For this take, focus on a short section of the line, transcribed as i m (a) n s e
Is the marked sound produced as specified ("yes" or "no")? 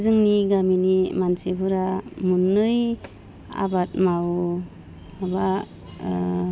yes